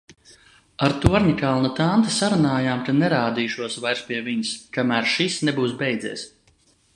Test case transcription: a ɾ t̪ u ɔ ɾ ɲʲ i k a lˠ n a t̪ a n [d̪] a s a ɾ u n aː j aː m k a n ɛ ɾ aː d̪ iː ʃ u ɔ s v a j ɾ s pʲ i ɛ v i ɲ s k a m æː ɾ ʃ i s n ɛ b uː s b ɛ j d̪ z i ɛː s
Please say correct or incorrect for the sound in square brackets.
incorrect